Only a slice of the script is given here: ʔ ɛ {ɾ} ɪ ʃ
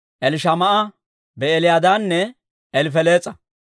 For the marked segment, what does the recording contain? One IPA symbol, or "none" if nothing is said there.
l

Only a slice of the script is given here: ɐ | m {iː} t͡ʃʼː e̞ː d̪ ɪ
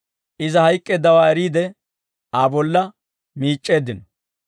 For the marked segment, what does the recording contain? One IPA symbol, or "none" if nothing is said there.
iː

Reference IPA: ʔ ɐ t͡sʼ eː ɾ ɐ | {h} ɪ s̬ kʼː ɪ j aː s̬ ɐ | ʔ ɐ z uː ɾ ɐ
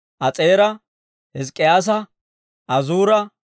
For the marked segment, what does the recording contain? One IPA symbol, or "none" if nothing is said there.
h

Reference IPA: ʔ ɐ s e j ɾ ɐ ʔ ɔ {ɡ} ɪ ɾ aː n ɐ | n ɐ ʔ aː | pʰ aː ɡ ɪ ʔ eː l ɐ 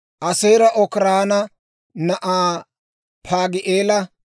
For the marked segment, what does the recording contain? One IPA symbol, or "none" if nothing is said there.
k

